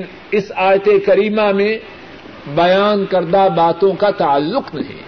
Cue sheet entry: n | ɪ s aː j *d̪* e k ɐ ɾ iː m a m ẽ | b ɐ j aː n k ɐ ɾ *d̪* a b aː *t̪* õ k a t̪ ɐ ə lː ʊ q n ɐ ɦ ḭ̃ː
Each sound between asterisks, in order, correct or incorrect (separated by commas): incorrect, correct, correct